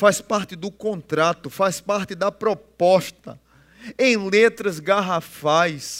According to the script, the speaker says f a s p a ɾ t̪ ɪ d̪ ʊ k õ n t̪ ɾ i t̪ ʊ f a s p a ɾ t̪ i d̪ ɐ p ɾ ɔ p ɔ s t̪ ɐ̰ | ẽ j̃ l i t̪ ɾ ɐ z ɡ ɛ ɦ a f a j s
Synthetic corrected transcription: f a s p a ɾ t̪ ɪ d̪ ʊ k õ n t̪ ɾ a t̪ ʊ f a s p a ɾ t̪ ɪ d̪ ɐ p ɾ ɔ p ɔ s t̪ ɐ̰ | ẽ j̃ l e t̪ ɾ ɐ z ɡ a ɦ a f a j s